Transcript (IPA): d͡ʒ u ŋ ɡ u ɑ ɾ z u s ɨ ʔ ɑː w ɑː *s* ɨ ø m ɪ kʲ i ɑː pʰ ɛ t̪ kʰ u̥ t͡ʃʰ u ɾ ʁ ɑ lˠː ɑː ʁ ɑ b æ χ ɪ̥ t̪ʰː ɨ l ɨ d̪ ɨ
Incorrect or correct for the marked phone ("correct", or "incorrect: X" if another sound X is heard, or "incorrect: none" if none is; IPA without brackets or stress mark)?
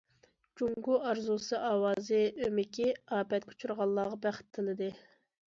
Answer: incorrect: z